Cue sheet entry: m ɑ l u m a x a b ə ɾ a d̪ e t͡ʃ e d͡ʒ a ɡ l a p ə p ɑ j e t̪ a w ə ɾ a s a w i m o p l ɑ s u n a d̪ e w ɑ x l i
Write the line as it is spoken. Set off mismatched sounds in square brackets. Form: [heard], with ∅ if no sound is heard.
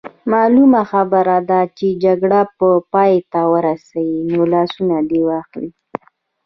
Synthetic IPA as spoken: m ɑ l u m a x a b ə ɾ a d̪ [a] t͡ʃ e d͡ʒ a ɡ [ɽ] a p ə p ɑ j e t̪ a w ə ɾ a s a w i [n] o [∅] l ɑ s u n a d̪ e w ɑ x l i